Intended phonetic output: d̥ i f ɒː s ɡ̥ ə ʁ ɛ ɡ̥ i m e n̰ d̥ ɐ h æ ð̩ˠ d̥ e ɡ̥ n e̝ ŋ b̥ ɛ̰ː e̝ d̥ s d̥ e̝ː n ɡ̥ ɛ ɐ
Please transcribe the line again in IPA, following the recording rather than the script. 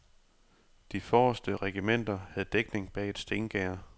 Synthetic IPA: d̥ i f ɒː s d̥ ə ʁ ɛ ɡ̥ i m e n̰ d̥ ɐ h æ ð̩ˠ d̥ e ɡ̥ n e̝ ŋ b̥ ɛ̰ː e̝ d̥ s d̥ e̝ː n ɡ̥ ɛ ɐ